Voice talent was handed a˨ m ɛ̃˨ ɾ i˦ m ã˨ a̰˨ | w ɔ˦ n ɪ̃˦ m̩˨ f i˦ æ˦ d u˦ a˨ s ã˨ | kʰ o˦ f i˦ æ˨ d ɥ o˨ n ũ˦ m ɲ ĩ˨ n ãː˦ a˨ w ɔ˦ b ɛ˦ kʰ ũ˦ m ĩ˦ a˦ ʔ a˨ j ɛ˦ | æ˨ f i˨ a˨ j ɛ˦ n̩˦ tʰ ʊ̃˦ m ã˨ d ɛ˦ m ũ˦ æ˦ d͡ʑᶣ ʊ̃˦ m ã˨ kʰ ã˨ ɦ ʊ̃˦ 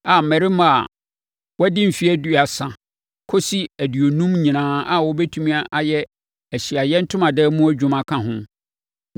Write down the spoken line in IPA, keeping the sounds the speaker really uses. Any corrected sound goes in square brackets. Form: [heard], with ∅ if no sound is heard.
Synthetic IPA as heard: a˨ m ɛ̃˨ ɾ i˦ m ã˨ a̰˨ | w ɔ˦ [d] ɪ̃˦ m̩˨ f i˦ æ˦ d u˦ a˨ s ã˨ | kʰ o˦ [s] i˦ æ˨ d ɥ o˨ n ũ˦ m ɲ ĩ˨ n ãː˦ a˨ w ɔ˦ b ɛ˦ [tʰ] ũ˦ m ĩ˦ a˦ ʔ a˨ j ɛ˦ | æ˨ [ɕ] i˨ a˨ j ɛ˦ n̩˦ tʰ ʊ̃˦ m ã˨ d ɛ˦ m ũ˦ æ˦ d͡ʑᶣ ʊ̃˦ m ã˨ kʰ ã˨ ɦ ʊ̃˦